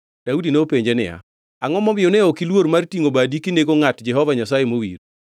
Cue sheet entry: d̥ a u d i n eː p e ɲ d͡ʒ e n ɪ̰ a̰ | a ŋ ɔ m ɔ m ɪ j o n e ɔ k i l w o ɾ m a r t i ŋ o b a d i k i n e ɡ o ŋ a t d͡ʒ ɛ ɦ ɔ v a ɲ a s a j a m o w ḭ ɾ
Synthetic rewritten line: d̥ a u d i n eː p e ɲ d͡ʒ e n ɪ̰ a̰ | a ŋ ɔ m ɔ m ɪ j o n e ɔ k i l w o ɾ m a r t i ŋ o b a d i k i n e ɡ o ŋ a t d͡ʒ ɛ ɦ ɔ v a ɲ a s a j e m o w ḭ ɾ